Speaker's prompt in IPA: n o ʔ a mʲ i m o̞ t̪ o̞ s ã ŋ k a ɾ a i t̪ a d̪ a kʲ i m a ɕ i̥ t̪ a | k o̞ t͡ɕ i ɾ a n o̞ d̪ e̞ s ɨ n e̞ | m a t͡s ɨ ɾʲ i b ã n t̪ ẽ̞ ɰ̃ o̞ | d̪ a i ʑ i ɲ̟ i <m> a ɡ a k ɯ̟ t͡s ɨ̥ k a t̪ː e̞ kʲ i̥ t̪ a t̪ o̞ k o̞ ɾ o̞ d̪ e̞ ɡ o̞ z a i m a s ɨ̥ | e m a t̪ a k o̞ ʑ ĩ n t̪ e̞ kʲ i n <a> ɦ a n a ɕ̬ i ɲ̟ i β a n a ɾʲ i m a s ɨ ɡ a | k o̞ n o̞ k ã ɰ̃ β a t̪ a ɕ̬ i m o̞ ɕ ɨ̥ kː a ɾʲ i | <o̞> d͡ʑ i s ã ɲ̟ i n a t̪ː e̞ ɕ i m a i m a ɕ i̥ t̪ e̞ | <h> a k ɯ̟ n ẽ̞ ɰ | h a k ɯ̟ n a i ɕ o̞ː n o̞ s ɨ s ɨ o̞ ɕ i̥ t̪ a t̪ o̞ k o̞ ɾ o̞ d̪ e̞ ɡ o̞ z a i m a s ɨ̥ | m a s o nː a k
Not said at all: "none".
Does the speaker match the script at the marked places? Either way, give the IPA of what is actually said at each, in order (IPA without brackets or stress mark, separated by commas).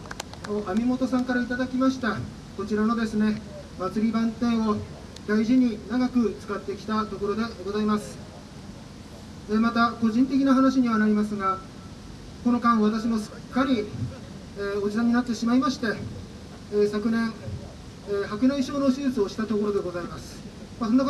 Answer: n, a, o̞, s